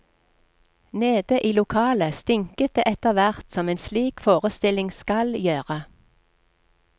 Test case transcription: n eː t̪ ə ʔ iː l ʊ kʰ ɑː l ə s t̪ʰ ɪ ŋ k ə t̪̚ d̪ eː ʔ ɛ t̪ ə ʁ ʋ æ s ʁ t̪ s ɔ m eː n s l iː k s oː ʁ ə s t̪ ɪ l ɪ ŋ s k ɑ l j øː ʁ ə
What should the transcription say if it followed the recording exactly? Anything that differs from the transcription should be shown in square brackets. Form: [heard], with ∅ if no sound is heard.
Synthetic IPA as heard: n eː [d̪] ə ʔ iː l ʊ kʰ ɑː l ə s [t̪] ɪ ŋ k ə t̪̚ d̪ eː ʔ ɛ t̪ ə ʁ ʋ æ [∅] ʁ t̪ s ɔ m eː n s l iː k [f] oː ʁ ə s t̪ ɪ l ɪ ŋ s k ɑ l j øː ʁ ə